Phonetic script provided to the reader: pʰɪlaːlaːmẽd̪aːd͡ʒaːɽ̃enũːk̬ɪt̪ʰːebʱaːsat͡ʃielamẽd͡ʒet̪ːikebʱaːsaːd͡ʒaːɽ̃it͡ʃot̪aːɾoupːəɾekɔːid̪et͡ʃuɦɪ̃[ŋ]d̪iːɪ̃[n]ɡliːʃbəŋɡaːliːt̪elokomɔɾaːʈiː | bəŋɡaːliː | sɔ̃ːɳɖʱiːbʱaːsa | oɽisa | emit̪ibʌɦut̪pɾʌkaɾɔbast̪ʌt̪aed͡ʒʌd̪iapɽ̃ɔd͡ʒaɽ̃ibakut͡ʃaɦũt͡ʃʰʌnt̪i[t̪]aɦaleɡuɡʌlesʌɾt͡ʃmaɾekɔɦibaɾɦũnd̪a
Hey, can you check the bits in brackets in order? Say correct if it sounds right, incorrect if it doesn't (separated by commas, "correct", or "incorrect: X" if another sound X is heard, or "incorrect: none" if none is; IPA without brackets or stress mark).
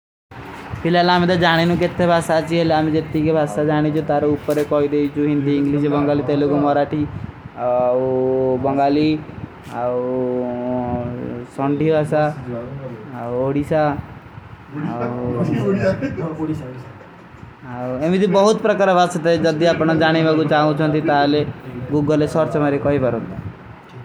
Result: incorrect: n, incorrect: ŋ, correct